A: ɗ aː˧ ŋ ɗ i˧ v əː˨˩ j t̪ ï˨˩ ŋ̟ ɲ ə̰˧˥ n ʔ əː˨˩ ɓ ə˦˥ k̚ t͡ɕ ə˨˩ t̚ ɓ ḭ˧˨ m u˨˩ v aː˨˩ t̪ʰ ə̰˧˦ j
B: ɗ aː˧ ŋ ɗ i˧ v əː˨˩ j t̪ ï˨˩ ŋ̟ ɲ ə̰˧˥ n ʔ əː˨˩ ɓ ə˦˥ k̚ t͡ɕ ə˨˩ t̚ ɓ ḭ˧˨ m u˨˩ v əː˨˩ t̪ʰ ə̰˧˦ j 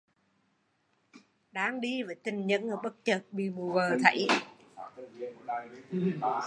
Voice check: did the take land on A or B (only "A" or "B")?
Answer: B